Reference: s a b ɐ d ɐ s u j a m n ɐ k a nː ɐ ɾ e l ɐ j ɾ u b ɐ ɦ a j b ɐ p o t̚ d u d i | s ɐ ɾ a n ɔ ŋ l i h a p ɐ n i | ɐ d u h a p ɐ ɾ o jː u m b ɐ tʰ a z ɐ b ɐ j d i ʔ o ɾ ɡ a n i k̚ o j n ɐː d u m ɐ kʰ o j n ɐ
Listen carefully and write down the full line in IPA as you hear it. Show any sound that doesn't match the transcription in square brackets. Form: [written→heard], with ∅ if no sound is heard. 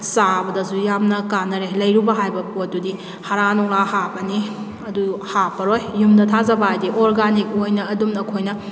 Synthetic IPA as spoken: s a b ɐ d ɐ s u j a m n ɐ k a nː ɐ ɾ e l ɐ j ɾ u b ɐ ɦ a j b ɐ p o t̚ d u d i | [s→h] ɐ ɾ a n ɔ ŋ l [i→a] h a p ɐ n i | ɐ d u h a p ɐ ɾ o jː u m [b→d] ɐ tʰ a z ɐ b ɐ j d i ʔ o ɾ ɡ a n i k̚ o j n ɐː d u m ɐ kʰ o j n ɐ